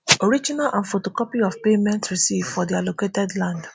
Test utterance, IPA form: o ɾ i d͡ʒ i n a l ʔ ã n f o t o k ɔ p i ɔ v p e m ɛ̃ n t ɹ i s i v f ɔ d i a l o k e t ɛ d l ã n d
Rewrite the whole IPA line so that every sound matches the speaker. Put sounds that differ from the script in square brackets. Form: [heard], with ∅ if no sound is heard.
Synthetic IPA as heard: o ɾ i d͡ʒ i n a l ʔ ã n f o t o k ɔ p i ɔ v p e m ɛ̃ n t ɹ i s i v f ɔ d i a l o k e t ɛ d l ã n d